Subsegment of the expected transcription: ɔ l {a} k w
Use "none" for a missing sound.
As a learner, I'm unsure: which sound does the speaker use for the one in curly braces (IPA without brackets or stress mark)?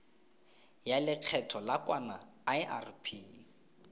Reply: a